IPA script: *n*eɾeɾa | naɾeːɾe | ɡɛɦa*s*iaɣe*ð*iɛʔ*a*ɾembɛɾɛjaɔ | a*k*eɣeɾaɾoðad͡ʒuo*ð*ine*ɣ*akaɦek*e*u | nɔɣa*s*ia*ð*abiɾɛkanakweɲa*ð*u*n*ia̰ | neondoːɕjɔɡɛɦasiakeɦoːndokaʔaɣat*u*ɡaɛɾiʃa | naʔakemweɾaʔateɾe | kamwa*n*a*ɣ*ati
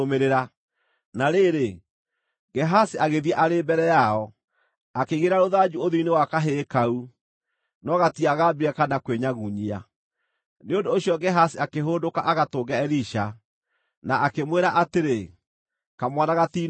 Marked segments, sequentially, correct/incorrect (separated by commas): incorrect, correct, correct, correct, correct, correct, incorrect, incorrect, incorrect, incorrect, incorrect, incorrect, incorrect, correct, correct